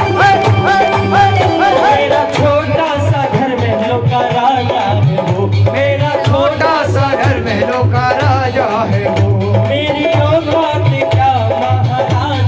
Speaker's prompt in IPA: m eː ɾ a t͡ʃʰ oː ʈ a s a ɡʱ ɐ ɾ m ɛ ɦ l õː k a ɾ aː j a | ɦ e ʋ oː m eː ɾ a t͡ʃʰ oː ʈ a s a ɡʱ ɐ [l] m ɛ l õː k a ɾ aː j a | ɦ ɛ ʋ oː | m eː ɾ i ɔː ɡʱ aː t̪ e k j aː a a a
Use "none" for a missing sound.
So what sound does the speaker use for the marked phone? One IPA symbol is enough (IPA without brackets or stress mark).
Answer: ɾ